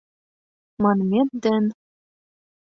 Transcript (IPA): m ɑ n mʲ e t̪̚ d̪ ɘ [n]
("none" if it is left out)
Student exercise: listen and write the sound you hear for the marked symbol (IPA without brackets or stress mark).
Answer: n